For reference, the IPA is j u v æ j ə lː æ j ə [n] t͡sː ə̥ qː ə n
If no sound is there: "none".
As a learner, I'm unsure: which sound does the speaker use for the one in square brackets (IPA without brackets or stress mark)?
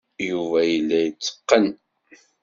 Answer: none